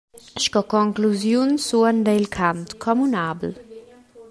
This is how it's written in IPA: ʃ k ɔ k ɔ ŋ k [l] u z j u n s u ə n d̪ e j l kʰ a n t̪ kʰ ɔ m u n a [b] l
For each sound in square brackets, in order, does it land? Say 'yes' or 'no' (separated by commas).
yes, yes